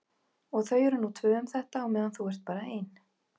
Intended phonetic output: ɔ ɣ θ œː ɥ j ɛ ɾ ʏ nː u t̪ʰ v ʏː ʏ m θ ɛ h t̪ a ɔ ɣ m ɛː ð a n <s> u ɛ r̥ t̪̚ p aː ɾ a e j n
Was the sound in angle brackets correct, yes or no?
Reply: no